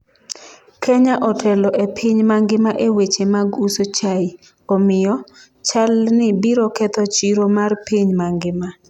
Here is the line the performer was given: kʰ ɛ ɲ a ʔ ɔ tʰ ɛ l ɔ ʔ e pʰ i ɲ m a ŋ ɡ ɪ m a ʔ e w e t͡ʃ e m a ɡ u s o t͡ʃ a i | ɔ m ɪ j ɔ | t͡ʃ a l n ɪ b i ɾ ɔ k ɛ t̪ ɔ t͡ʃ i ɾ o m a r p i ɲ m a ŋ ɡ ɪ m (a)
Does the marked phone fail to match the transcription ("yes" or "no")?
no